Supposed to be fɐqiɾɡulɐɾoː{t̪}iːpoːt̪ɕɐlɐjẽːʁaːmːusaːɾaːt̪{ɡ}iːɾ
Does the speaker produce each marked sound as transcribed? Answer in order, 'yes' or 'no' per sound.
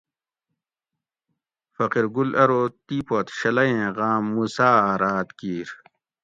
yes, no

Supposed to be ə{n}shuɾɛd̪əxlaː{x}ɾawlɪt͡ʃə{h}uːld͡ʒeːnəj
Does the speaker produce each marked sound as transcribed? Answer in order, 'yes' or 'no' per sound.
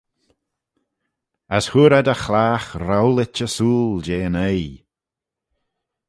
no, yes, no

